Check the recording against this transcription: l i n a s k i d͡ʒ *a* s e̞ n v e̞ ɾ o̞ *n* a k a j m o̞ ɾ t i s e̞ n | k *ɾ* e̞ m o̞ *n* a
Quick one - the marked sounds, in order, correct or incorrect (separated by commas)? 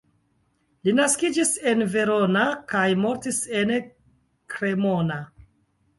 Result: incorrect, correct, correct, correct